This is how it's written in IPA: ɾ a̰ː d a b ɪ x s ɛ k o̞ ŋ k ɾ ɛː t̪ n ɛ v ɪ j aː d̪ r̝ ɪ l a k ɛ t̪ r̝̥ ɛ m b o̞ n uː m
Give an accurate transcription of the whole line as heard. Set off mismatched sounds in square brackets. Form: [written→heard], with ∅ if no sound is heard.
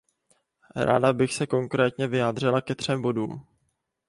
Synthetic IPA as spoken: ɾ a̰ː d a b ɪ x s ɛ k o̞ ŋ k ɾ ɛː t̪ [n→ɲ] ɛ v ɪ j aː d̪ r̝ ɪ l a k ɛ t̪ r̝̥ ɛ m b o̞ [n→d] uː m